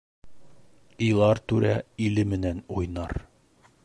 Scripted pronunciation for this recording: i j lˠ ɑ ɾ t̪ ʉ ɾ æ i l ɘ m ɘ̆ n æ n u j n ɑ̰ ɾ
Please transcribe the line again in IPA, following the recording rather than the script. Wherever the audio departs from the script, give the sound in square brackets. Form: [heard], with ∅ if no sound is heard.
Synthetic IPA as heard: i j lˠ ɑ ɾ t̪ ʉ ɾ æ i l ɘ m ɘ̆ n æ n u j n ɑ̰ ɾ